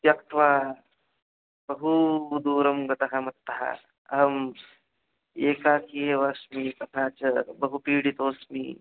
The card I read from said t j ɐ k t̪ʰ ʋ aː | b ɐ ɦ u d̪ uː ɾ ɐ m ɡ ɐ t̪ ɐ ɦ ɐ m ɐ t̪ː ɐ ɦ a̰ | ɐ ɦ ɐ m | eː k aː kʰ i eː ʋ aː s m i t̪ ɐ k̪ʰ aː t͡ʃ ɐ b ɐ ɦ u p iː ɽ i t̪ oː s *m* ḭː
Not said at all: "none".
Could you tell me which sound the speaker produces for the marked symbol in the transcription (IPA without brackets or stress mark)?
m